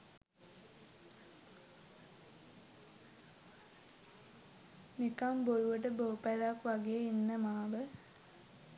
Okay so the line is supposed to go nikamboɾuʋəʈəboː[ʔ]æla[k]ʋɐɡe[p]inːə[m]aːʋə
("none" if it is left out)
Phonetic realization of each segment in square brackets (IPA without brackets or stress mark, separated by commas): p, k, none, m